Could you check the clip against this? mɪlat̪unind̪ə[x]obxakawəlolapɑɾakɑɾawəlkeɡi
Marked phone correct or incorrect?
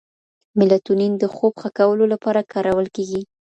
correct